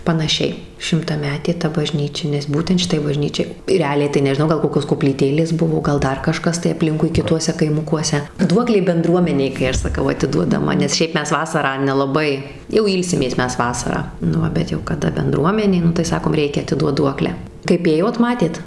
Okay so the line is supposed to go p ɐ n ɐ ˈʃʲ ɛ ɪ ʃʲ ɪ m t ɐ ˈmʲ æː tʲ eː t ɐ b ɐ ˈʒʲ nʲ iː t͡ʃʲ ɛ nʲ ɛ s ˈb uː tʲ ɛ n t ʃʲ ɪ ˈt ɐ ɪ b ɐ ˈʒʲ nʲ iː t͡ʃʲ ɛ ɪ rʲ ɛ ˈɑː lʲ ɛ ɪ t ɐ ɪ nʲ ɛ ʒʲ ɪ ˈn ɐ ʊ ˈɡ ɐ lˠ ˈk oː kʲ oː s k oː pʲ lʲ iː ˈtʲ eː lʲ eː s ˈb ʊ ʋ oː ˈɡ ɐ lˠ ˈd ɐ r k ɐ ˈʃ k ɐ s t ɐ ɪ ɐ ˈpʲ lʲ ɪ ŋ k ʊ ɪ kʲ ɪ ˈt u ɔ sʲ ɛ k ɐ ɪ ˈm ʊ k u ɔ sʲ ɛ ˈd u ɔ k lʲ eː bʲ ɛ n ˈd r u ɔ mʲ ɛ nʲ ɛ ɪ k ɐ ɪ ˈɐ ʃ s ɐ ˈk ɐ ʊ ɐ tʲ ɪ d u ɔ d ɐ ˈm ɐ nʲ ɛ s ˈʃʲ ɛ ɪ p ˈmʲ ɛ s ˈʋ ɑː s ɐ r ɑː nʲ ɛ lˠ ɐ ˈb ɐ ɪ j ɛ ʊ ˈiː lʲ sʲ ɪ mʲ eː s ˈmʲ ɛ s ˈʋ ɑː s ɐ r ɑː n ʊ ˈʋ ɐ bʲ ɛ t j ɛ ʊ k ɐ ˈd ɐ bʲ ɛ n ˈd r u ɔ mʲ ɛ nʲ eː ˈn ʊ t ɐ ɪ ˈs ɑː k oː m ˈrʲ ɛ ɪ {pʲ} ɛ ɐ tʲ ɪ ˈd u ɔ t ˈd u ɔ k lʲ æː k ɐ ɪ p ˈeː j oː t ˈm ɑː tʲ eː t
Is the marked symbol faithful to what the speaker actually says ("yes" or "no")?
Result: no